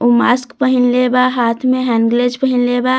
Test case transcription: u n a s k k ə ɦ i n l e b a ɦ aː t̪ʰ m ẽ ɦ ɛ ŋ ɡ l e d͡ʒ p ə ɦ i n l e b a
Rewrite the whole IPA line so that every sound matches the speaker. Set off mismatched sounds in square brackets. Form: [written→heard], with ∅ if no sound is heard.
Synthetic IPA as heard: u [n→m] a s k [k→p] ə ɦ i n l e b a ɦ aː t̪ʰ m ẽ ɦ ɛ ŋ ɡ l e d͡ʒ p ə ɦ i n l e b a